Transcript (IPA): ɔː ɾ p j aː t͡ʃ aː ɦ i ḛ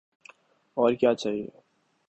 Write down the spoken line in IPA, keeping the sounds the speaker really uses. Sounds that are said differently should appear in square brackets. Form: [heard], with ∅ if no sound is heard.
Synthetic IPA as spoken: ɔː ɾ [k] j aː t͡ʃ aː ɦ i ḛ